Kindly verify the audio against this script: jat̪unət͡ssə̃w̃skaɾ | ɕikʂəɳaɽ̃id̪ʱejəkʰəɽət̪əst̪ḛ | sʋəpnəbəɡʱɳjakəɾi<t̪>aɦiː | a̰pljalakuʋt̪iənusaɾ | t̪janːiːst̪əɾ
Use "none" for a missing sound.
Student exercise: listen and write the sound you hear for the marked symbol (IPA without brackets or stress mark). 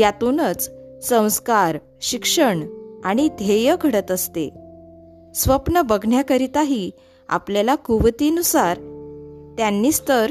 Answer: t̪